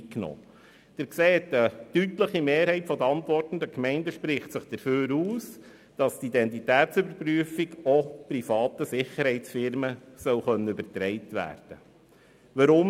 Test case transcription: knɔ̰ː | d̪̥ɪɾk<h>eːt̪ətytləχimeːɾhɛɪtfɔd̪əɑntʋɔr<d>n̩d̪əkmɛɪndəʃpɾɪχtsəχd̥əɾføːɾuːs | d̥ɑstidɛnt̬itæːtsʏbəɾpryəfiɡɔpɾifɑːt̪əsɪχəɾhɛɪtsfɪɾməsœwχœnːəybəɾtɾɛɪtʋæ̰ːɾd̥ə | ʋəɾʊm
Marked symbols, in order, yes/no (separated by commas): no, no